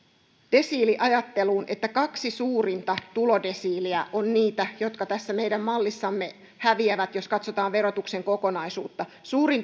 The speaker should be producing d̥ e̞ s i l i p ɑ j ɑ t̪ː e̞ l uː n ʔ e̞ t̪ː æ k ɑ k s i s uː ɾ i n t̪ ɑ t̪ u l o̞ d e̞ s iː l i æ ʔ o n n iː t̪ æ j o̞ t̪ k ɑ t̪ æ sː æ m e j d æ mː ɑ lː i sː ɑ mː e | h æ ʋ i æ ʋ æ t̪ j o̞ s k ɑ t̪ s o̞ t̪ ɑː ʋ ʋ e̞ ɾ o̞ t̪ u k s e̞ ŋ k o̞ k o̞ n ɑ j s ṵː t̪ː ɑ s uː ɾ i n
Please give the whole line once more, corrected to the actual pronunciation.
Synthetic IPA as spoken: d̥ e̞ s iː l i ʔ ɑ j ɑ t̪ː e̞ l uː n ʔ e̞ t̪ː æ k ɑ k s i s uː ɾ i n t̪ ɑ t̪ u l o̞ d e̞ s iː l i æ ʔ o n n iː t̪ æ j o̞ t̪ k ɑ t̪ æ sː æ m e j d æ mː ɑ lː i sː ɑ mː e | h æ ʋ i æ ʋ æ t̪ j o̞ s k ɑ t̪ s o̞ t̪ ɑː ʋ ʋ e̞ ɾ o̞ t̪ u k s e̞ ŋ k o̞ k o̞ n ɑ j s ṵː t̪ː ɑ s uː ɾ i n